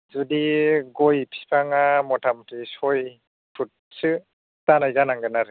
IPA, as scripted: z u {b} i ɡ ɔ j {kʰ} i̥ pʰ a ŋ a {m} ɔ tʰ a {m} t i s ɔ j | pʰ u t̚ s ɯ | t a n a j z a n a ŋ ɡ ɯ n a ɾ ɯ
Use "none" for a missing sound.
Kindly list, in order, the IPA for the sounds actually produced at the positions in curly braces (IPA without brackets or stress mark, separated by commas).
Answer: d, pʰ, m, m